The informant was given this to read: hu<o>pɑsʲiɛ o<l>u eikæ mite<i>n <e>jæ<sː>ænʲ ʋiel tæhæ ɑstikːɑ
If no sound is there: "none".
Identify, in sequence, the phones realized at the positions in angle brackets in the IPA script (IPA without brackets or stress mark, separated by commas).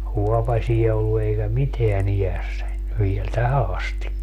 ɔ, lː, æ, i, sː